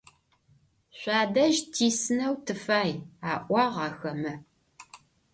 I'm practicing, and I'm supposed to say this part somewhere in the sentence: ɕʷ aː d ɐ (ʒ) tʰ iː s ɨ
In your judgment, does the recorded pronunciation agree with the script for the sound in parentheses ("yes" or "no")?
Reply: yes